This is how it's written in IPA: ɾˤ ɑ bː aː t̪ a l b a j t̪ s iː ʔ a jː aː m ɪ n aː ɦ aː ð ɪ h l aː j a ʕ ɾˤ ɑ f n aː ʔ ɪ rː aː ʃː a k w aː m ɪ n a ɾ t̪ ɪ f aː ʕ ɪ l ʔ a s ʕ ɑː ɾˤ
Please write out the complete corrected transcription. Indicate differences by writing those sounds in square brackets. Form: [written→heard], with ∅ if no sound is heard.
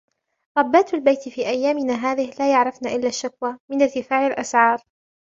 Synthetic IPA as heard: ɾˤ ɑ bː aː t̪ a l b a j t̪ [s→f] iː ʔ a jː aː m ɪ n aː ɦ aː ð ɪ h l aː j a ʕ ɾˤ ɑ f n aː ʔ ɪ [rː→lː] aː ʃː a k w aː m ɪ n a ɾ t̪ ɪ f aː ʕ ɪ l ʔ a s ʕ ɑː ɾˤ